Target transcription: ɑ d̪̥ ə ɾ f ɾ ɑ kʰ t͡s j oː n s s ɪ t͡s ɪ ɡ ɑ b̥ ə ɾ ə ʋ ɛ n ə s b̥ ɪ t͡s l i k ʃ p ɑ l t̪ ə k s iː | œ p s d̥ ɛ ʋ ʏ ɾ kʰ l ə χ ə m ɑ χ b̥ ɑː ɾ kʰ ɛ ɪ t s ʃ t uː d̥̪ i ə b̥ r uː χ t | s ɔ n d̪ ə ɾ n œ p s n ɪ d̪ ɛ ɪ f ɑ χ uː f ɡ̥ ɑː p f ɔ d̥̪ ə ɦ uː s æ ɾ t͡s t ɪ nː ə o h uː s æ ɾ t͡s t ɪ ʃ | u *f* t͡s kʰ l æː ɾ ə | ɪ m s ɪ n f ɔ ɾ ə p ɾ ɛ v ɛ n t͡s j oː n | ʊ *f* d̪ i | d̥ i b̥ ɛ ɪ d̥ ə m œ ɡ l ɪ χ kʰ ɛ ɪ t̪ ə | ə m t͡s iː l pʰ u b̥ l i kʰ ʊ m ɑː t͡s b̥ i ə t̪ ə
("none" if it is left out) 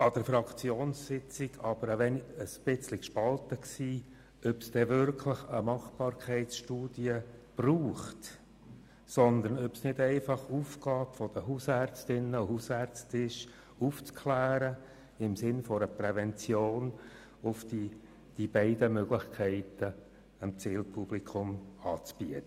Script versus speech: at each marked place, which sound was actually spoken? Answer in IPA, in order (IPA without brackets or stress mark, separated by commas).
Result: f, f